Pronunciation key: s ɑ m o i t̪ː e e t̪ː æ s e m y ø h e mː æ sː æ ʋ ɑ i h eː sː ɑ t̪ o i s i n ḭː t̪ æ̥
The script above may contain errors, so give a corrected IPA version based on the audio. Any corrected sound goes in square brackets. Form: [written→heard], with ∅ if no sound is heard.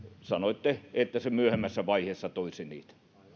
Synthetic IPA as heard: s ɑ [m→n] o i t̪ː e e t̪ː æ s e m y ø h e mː æ sː æ ʋ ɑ i h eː sː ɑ t̪ o i s i n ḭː t̪ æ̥